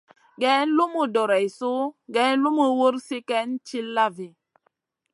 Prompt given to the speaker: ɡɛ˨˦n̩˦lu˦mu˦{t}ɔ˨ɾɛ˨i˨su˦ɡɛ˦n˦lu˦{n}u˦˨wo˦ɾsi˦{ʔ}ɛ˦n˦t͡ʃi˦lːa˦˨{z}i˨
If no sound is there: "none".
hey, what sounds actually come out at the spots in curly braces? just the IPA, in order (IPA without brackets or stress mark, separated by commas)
d, m, k, v